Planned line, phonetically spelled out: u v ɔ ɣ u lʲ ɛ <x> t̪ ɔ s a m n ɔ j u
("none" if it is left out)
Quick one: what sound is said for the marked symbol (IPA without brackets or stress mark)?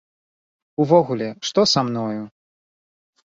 ʂ